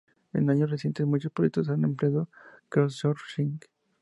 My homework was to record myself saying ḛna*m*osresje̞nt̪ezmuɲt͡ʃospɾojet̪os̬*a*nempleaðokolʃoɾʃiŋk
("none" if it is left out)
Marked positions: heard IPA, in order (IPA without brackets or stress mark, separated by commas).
ɲ, a